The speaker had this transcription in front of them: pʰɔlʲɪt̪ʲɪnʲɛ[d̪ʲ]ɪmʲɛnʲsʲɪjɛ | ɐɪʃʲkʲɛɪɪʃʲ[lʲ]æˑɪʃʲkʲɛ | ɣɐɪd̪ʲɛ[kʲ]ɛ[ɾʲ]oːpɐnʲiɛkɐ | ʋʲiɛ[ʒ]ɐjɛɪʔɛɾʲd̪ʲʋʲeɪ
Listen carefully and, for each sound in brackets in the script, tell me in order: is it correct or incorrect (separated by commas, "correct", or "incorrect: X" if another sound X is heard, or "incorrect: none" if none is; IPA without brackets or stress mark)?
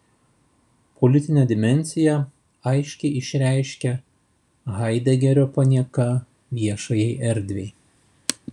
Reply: correct, incorrect: ɾʲ, incorrect: ɡʲ, correct, incorrect: ʃ